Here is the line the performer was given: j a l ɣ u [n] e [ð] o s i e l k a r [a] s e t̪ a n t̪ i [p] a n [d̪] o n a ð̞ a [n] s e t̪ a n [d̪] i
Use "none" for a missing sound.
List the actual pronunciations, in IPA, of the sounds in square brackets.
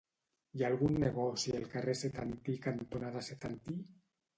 nː, ɣ, e, k, t̪, none, t̪

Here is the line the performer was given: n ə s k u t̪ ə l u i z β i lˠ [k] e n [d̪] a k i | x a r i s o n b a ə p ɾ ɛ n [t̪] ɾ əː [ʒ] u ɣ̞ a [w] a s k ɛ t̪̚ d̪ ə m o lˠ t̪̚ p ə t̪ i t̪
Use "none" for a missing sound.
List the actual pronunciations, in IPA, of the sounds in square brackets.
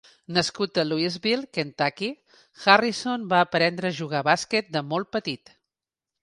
k, t̪, d̪, ʒ, β

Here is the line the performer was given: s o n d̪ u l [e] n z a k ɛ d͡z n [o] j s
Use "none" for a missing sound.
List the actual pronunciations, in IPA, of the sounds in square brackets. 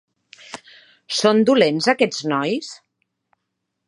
e, ɔ

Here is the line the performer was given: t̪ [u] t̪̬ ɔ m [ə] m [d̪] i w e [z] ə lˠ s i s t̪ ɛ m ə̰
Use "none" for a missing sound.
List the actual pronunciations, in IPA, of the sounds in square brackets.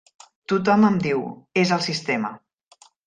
u, ə, d̪, z

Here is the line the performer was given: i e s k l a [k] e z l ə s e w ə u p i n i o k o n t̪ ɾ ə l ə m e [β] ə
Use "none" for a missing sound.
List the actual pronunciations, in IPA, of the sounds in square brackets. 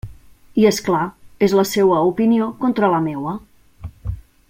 none, w

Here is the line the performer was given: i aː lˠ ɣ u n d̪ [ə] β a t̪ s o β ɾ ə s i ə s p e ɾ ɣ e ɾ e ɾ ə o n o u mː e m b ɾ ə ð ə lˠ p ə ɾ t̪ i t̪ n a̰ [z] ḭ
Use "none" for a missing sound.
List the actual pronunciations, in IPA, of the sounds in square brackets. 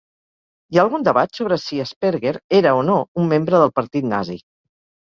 ə, z

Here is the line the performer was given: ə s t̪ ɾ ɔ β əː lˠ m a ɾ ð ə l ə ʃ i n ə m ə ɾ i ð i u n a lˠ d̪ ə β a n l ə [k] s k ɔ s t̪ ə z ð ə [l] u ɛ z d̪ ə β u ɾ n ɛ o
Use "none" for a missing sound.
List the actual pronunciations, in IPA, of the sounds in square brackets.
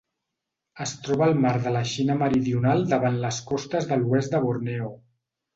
none, l

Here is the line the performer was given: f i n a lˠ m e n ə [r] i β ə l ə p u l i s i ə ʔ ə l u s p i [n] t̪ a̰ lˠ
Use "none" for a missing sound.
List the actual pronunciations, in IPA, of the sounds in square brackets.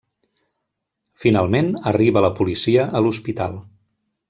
r, none

